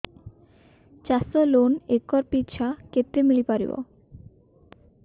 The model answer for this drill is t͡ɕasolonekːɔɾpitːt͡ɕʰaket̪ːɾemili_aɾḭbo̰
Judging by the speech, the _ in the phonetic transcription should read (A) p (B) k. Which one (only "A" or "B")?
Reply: A